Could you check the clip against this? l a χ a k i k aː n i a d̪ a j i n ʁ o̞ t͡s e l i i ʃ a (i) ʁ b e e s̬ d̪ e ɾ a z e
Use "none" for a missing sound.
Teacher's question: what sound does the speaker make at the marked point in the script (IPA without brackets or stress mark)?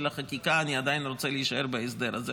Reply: e